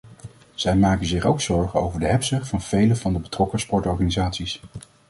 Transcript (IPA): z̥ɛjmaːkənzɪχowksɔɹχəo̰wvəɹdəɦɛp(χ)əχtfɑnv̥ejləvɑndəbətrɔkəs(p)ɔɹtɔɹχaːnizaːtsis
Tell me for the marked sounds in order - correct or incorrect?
incorrect: s, correct

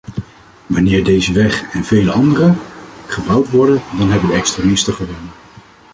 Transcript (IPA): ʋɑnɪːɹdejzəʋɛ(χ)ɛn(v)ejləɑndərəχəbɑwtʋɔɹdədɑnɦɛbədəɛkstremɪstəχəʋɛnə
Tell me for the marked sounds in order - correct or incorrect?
correct, correct

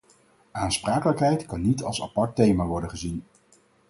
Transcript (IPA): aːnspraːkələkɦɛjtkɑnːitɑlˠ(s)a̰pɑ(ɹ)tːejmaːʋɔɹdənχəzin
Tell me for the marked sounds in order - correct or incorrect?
correct, correct

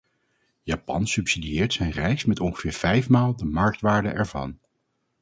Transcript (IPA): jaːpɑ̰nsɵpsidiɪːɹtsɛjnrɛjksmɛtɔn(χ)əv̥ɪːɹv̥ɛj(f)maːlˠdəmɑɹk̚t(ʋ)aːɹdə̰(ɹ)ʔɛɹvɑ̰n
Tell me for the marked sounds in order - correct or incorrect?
correct, correct, correct, incorrect: none

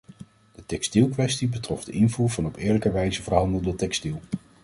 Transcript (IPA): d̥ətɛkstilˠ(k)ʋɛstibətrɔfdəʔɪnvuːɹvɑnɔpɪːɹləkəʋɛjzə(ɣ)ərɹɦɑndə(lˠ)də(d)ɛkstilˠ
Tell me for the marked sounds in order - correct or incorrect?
correct, incorrect: v, correct, incorrect: t

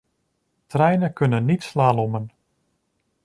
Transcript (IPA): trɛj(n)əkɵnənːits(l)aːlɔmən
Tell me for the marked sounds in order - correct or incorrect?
correct, correct

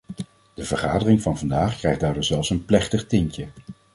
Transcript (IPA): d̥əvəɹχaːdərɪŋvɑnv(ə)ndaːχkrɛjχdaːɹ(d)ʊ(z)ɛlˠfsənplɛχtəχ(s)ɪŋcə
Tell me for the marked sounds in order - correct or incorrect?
incorrect: ɑ, correct, correct, incorrect: t

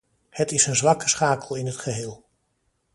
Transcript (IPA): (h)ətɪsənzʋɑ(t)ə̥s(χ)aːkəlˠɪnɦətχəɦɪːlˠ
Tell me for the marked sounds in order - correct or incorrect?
correct, incorrect: k, correct

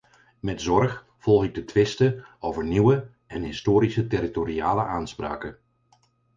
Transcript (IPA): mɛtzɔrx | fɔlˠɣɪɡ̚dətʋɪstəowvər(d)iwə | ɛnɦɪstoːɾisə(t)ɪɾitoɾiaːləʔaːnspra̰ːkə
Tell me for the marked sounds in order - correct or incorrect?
incorrect: n, correct

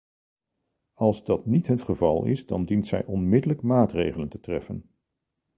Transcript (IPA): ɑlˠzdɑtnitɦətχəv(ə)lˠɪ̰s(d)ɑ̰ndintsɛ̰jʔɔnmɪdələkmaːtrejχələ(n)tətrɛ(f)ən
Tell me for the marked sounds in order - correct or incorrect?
incorrect: ɑ, correct, correct, correct

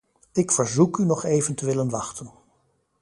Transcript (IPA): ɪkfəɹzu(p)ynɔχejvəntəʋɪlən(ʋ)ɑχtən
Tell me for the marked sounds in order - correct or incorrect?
incorrect: k, correct

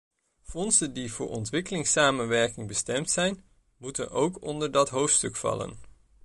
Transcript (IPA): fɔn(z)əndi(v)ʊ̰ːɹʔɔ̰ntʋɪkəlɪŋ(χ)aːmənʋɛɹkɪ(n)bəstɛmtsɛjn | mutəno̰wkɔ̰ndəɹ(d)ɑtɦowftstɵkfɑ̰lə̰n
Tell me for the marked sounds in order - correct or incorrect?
incorrect: s, correct, incorrect: s, incorrect: ŋ, correct

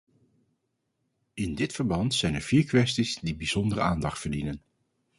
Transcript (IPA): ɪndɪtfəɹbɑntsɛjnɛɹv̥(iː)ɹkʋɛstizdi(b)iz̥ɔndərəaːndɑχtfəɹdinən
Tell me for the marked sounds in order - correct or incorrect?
correct, correct

